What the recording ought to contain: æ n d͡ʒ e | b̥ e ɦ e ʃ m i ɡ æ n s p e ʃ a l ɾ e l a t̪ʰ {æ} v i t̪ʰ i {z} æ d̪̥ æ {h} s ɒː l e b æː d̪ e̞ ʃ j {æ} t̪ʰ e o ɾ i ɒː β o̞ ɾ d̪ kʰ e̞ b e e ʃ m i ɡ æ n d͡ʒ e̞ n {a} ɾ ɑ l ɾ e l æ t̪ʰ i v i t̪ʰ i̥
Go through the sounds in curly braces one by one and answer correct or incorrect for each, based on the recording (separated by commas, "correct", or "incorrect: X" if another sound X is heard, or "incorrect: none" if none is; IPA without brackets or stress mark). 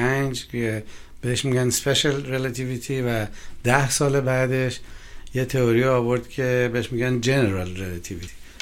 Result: incorrect: i, incorrect: v, correct, incorrect: e, incorrect: e